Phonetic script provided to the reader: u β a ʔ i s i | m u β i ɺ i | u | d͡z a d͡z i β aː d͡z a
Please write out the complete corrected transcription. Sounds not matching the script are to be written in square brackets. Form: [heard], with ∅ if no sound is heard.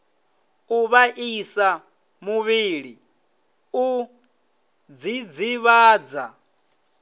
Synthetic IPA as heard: u β a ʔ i s [a] | m u β i ɺ i | u | d͡z [i] d͡z i β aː d͡z a

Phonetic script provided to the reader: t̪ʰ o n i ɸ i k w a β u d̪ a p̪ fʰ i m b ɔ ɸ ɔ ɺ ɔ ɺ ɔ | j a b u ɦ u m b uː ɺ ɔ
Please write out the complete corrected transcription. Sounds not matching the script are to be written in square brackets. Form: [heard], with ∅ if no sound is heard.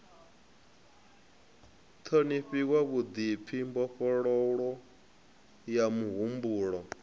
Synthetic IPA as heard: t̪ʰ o n i ɸ i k w a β u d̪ [i] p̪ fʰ i m b ɔ ɸ ɔ ɺ ɔ ɺ ɔ | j a [m] u ɦ u m b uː ɺ ɔ

